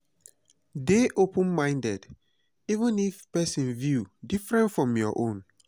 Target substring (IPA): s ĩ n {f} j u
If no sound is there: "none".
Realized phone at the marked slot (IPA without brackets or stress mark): v